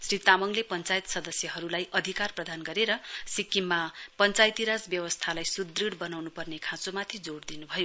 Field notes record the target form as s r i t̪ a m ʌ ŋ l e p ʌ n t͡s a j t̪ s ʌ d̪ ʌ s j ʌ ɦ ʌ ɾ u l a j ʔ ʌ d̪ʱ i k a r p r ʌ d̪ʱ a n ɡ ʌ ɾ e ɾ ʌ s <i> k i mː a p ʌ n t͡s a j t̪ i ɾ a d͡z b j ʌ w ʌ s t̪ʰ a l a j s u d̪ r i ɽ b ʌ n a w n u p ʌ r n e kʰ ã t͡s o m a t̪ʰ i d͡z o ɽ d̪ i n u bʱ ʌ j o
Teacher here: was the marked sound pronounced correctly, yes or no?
yes